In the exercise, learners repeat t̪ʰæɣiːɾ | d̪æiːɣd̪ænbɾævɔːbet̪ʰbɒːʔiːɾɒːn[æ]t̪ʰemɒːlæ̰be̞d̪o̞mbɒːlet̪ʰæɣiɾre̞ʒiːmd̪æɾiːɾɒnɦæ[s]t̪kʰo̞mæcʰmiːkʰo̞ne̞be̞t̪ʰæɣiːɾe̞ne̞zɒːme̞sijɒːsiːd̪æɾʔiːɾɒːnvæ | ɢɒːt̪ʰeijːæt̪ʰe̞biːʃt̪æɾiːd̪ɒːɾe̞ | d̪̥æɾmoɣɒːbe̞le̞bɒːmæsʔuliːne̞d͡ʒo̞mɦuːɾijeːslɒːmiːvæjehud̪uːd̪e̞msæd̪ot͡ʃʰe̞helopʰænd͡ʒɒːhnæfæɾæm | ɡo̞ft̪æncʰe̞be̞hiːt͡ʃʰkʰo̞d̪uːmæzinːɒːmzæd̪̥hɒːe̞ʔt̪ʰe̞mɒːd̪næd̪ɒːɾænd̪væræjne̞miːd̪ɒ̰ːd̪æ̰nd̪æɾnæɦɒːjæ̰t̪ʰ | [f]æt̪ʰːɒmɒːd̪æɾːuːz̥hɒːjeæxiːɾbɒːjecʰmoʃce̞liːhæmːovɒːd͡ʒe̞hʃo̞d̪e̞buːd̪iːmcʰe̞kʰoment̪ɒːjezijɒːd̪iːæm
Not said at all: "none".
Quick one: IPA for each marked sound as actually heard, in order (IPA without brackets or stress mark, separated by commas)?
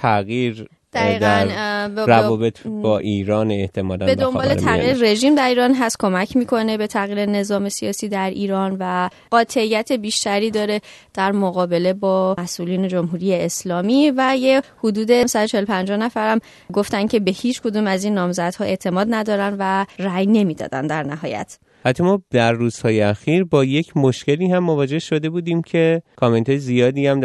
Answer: e, s, h